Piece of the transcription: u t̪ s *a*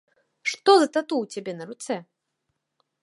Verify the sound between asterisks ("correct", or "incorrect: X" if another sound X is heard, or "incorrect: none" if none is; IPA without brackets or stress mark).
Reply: incorrect: ɛ